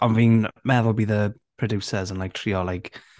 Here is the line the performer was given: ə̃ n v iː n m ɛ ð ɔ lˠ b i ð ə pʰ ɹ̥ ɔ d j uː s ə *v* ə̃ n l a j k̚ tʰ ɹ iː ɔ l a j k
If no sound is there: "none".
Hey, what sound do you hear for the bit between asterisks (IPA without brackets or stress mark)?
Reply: z